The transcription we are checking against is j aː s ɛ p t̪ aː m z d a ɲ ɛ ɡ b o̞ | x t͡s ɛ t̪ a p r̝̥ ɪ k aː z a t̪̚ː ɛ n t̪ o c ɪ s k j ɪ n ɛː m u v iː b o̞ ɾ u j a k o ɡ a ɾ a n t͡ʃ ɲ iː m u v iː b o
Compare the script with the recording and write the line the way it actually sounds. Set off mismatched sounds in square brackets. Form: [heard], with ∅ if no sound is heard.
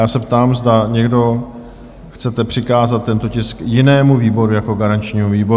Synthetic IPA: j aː s ɛ p t̪ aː m z d a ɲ ɛ ɡ [d] o̞ | x t͡s ɛ t̪ [ɛ] p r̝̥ ɪ k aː z a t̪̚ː ɛ n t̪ o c ɪ s k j ɪ n ɛː m u v iː b o̞ ɾ u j a k o ɡ a ɾ a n t͡ʃ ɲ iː m u v iː b o